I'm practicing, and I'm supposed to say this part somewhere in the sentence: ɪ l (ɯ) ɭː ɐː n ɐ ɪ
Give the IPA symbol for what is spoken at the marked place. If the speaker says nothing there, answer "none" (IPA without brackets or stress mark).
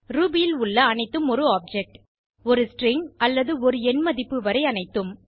ʊ